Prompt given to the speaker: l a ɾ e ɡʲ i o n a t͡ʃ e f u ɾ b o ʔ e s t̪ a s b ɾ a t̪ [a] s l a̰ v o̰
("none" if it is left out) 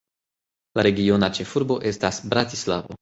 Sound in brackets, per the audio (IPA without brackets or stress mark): i